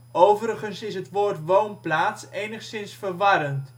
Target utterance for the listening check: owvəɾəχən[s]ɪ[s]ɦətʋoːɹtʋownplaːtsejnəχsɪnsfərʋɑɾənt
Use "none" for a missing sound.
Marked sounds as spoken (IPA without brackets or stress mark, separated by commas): s, s